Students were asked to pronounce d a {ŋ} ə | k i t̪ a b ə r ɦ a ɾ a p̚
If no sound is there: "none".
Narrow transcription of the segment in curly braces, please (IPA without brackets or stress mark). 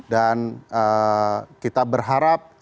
n